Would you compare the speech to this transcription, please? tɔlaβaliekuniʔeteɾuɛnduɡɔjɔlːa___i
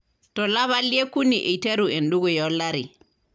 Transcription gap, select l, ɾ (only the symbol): ɾ